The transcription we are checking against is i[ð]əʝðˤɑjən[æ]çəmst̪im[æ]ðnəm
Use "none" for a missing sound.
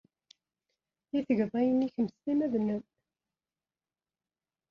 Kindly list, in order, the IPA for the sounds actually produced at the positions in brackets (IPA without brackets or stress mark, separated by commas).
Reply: θ, i, æ